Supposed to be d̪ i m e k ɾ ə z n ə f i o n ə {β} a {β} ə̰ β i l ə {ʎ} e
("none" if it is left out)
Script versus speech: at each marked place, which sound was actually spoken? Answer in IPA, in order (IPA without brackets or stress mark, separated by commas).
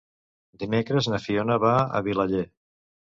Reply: β, none, ʎ